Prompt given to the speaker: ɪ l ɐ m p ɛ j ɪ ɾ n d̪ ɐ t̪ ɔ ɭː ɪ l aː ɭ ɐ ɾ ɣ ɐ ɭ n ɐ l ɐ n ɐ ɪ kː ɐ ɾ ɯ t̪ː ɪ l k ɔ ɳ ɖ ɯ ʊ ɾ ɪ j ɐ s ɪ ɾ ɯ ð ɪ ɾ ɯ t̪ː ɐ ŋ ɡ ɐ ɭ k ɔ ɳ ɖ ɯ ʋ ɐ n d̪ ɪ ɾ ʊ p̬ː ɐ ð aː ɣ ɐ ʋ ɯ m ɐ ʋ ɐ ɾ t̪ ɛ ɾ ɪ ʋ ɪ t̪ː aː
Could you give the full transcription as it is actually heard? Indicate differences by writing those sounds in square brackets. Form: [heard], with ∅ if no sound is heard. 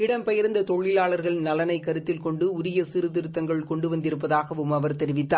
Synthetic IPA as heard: ɪ [ɽ] ɐ m p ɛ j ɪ ɾ n d̪ ɐ t̪ ɔ ɭː ɪ l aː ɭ ɐ ɾ ɣ ɐ ɭ n ɐ l ɐ n ɐ ɪ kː ɐ ɾ ɯ t̪ː ɪ l k ɔ ɳ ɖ ɯ ʊ ɾ ɪ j ɐ s ɪ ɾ ɯ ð ɪ ɾ ɯ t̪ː ɐ ŋ ɡ ɐ ɭ k ɔ ɳ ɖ ɯ ʋ ɐ n d̪ ɪ ɾ [ɯ] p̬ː ɐ ð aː ɣ ɐ ʋ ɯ m ɐ ʋ ɐ ɾ t̪ ɛ ɾ ɪ ʋ ɪ t̪ː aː